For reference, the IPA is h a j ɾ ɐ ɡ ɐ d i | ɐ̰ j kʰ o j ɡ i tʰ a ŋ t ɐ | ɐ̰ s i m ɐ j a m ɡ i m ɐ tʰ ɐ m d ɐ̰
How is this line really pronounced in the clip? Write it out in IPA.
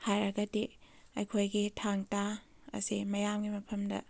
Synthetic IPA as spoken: h a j ɾ ɐ ɡ ɐ d i | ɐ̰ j kʰ o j ɡ i tʰ a ŋ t a | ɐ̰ s i m ɐ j a m ɡ i m ɐ pʰ ɐ m d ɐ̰